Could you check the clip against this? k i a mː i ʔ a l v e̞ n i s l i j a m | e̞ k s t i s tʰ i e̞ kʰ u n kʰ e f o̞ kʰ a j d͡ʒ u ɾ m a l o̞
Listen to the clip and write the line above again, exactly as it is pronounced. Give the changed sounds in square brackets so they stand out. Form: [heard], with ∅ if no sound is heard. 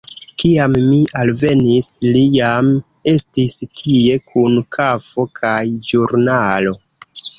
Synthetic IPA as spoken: k i a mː i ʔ a l v e̞ n i s l i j a m | e̞ [∅] s t i s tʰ i e̞ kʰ u n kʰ [a] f o̞ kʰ a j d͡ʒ u ɾ [n] a l o̞